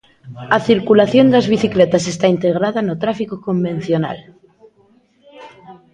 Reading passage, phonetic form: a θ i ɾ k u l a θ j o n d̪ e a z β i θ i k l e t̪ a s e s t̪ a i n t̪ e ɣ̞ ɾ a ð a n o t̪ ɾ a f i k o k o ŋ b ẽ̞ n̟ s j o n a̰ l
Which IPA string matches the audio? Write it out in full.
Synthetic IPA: a θ i ɾ k u l a θ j o n d̪ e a z β i θ i k l e t̪ a s e s t̪ a i n t̪ e ɣ̞ ɾ a ð a n o t̪ ɾ a f i k o k o m b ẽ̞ n̟ θ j o n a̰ l